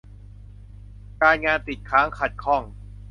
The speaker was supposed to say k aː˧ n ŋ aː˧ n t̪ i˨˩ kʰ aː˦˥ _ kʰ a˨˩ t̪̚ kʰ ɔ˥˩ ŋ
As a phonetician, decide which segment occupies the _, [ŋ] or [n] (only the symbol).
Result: ŋ